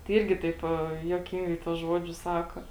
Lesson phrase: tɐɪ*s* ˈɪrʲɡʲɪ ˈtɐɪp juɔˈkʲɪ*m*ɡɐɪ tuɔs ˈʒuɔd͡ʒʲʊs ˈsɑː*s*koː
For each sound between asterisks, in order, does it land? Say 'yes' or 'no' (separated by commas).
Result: no, no, no